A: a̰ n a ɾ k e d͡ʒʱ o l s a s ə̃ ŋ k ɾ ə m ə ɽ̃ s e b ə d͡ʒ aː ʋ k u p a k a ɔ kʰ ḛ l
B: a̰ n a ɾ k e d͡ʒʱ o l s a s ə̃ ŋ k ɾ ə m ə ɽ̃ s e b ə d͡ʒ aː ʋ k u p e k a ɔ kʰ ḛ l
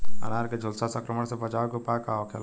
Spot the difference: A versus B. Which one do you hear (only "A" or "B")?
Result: A